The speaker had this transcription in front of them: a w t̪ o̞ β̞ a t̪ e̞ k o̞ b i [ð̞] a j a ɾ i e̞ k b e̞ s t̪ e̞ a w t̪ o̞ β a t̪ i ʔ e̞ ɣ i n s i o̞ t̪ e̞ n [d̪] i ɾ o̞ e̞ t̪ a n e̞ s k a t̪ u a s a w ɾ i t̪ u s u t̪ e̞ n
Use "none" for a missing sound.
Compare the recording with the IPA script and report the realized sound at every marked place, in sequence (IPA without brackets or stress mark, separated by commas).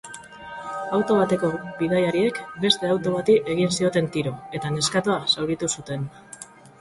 ð̞, t̪